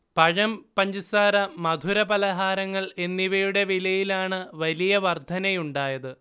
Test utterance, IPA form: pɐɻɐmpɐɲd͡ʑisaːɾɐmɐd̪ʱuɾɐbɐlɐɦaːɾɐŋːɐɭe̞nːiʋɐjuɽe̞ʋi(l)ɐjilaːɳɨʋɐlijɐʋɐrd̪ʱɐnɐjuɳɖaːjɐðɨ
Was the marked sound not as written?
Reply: no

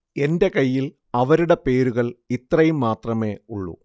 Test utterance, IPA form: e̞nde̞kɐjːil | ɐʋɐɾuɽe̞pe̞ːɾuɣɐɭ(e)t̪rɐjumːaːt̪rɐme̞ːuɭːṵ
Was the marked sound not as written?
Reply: yes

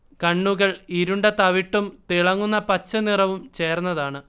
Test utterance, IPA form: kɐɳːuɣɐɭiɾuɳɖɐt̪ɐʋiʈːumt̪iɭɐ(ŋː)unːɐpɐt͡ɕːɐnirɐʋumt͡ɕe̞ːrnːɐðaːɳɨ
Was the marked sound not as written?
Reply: no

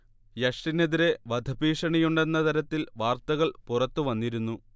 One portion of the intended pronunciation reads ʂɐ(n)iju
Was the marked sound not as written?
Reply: yes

